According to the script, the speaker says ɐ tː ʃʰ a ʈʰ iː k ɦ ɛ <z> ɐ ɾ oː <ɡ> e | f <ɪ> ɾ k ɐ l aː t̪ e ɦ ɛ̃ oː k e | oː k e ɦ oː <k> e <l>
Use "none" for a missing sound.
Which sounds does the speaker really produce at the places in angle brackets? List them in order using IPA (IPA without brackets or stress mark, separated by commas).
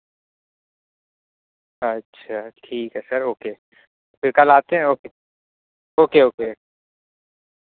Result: s, k, ɪ, k, none